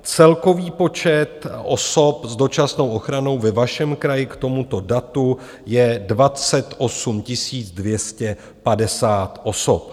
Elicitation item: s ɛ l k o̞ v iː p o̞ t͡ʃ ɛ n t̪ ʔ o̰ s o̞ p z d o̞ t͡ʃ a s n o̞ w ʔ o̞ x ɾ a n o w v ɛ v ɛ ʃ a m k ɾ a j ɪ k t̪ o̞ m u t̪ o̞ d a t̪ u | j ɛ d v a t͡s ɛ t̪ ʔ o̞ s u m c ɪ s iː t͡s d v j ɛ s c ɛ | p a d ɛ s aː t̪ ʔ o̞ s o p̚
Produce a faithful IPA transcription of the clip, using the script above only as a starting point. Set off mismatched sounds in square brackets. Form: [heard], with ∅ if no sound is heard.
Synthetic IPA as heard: [t͡s] ɛ l k o̞ v iː p o̞ t͡ʃ ɛ [∅] t̪ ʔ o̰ s o̞ p z d o̞ t͡ʃ a s n o̞ w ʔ o̞ x ɾ a n o w v ɛ v [a] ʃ [ɛ] m k ɾ a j ɪ k t̪ o̞ m u t̪ o̞ d a t̪ u | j ɛ d v a t͡s ɛ t̪ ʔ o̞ s u m c ɪ s iː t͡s d v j ɛ s c ɛ | p a d ɛ s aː t̪ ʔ o̞ s o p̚